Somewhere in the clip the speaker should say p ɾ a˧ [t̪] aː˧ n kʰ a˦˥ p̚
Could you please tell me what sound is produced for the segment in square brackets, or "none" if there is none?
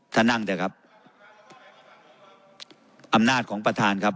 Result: t̪ʰ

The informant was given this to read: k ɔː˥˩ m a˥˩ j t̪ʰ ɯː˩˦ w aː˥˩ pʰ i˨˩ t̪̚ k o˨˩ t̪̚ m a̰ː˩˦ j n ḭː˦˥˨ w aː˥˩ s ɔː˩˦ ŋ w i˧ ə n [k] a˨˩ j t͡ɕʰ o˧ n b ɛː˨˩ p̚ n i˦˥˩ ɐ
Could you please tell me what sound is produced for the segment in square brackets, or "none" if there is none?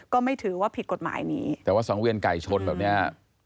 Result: k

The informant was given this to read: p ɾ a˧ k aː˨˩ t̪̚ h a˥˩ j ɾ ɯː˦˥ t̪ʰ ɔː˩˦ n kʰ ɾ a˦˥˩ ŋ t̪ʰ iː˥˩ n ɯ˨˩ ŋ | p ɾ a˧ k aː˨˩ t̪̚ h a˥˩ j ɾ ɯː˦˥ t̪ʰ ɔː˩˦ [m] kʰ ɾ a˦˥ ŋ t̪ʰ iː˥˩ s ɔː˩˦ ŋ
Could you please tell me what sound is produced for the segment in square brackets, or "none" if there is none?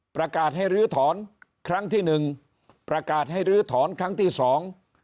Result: n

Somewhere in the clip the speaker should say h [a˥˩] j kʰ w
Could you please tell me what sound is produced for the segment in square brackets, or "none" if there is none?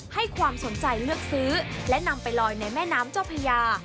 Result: a˥˩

